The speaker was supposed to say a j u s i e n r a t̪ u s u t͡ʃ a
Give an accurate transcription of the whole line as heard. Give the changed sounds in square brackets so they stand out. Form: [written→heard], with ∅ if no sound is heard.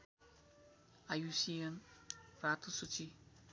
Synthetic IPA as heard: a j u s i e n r a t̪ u s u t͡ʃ [a→i]